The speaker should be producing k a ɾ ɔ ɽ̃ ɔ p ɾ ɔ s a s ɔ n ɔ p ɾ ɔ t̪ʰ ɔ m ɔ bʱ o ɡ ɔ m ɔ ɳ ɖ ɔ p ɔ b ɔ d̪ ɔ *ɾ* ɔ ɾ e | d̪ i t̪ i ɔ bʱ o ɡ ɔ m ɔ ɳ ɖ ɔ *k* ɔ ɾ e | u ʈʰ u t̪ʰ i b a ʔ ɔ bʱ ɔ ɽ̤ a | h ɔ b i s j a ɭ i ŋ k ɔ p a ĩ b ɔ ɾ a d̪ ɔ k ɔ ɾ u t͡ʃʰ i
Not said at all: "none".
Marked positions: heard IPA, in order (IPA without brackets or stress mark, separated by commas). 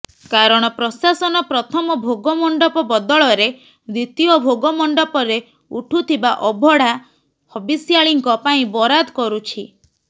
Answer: ɭ, p